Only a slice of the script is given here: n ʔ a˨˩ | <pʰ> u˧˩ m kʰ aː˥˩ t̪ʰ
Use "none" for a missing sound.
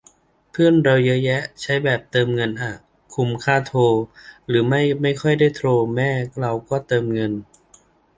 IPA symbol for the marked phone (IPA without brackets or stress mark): kʰ